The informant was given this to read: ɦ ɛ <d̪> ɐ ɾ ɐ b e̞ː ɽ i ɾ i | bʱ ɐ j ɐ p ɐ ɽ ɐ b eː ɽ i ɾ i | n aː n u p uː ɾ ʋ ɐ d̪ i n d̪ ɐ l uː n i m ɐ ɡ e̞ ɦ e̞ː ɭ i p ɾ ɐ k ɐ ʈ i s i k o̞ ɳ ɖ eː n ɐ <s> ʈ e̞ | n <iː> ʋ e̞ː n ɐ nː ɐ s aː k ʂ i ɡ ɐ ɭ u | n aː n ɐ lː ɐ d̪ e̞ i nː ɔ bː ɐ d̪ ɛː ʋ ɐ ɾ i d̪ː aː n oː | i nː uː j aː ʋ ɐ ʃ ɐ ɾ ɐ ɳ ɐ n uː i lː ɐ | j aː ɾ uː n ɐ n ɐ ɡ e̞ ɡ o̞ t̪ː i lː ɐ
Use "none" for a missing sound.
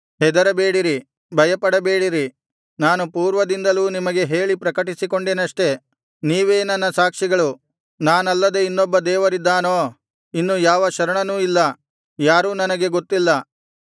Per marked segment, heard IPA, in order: d̪, ʂ, iː

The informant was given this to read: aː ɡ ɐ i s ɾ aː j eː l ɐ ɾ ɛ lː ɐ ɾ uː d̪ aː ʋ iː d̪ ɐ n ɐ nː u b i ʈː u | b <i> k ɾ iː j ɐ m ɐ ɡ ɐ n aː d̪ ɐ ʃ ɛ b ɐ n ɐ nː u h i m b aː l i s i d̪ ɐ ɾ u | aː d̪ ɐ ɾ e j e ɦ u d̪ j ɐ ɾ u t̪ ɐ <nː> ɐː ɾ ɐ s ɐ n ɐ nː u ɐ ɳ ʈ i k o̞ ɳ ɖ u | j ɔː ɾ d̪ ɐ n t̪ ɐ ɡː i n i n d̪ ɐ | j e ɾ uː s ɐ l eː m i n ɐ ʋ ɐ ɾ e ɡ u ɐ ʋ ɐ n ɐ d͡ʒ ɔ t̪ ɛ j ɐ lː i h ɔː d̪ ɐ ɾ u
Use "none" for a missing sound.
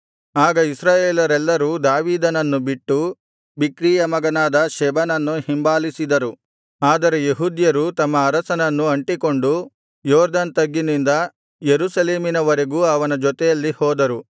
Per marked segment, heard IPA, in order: i, mː

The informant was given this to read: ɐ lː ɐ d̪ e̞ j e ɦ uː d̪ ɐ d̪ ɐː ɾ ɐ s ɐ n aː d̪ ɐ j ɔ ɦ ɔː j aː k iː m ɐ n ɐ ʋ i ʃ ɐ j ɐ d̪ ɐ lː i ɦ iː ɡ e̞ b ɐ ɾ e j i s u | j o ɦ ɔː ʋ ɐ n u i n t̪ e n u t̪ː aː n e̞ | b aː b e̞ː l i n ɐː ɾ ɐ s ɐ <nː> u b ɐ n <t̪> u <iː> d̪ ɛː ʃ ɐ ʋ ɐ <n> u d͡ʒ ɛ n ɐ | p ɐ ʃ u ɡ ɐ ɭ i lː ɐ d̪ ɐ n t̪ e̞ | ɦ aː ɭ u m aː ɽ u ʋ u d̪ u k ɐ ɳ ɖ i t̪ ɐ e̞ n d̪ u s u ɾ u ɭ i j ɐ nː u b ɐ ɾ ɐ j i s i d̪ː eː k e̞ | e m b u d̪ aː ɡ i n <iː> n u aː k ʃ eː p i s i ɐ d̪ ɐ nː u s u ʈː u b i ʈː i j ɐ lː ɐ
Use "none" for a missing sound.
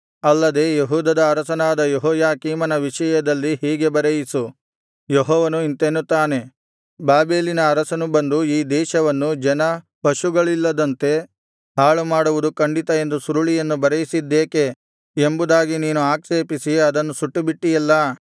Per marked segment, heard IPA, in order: n, d̪, iː, nː, iː

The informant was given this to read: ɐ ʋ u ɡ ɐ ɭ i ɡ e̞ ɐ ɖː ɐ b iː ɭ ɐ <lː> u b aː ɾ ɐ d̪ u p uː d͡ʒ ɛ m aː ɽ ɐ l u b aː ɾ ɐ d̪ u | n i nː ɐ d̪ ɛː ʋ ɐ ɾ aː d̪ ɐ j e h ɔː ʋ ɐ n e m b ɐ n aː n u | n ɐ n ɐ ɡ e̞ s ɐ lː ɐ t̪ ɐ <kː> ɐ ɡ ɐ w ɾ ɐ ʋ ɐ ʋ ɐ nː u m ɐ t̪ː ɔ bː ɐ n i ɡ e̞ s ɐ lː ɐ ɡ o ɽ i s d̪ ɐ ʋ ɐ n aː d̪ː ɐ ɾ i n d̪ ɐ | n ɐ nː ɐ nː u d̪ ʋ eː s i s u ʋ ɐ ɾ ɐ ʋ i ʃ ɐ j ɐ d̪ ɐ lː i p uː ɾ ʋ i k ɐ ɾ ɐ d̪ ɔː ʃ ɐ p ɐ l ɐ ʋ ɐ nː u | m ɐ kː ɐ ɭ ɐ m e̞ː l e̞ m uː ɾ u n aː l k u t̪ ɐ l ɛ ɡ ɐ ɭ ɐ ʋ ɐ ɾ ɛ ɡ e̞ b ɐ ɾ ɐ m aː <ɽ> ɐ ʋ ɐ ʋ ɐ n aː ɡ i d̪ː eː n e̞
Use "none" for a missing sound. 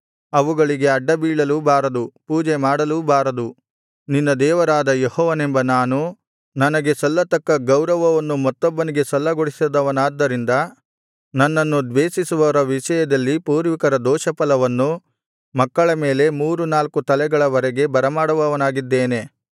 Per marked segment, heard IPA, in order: l, kː, ɽ

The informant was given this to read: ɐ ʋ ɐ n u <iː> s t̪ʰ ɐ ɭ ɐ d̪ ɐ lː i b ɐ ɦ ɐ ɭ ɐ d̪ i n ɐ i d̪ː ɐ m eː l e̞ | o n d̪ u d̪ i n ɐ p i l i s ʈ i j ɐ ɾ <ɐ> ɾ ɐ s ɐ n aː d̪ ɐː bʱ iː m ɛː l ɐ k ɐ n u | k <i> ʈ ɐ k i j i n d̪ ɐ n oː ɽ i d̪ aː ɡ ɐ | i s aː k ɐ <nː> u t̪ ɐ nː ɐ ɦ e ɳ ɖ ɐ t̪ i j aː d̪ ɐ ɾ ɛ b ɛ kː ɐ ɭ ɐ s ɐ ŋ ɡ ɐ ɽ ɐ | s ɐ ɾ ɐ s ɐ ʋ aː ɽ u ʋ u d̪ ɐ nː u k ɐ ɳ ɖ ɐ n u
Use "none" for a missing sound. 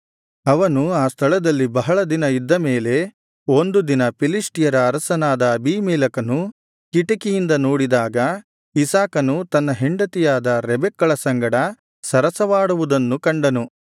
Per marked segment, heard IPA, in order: aː, ɐː, i, n

